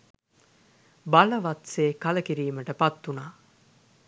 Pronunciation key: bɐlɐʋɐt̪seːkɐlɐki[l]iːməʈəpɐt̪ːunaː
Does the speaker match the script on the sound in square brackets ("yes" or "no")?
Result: no